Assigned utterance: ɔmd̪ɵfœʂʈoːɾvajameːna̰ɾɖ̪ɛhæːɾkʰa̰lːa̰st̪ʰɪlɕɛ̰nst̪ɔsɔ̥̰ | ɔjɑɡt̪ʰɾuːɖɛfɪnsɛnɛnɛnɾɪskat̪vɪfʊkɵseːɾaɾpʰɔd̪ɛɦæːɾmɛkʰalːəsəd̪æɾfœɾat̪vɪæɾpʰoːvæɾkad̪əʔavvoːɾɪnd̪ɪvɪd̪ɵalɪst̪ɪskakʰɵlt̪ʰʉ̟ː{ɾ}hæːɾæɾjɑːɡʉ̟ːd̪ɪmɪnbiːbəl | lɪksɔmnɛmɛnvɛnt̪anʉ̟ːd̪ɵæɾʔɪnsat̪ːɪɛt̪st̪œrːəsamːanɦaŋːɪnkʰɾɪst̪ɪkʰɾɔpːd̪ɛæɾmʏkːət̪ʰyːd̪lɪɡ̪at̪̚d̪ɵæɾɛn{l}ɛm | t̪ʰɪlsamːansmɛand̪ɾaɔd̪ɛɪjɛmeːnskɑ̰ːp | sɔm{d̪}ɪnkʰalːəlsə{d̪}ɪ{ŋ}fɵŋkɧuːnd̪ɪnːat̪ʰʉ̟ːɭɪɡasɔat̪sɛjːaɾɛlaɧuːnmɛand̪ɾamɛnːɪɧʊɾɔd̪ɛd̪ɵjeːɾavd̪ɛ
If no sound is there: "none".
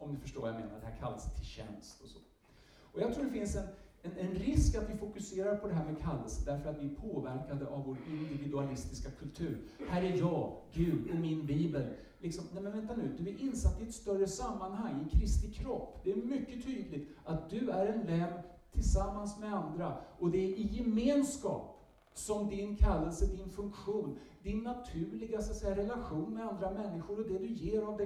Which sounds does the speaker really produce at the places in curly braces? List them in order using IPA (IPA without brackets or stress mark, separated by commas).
ɾ, l, d̪, d̪, n